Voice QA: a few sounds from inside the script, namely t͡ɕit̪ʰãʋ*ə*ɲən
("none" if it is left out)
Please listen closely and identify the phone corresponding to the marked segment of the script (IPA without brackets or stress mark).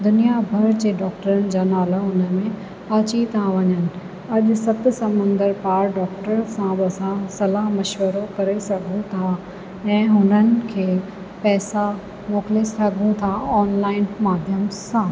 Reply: ɐ